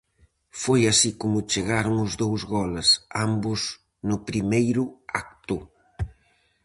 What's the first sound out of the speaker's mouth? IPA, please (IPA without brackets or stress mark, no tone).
f